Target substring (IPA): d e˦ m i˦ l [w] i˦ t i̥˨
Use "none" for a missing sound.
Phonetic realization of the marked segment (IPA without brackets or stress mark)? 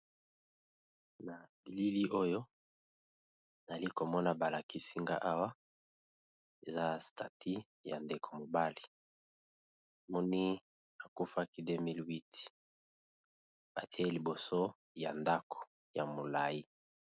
w